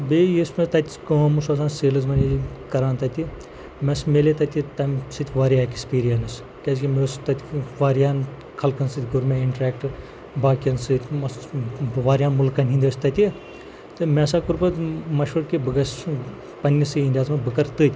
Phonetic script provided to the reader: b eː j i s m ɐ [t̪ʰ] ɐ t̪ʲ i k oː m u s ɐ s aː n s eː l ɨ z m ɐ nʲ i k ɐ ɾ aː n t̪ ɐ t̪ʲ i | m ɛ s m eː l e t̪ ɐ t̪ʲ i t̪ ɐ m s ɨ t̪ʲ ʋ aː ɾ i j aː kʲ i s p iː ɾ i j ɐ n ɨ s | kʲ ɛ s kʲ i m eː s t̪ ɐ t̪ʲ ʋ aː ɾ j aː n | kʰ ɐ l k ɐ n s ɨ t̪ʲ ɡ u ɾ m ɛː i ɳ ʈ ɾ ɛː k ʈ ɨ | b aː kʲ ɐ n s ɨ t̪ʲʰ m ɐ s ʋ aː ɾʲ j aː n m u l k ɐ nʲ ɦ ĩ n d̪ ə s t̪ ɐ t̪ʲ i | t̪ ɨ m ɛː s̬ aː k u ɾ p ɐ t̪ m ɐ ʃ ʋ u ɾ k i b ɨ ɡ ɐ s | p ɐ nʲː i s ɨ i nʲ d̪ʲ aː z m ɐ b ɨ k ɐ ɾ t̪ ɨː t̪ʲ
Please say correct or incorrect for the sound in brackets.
incorrect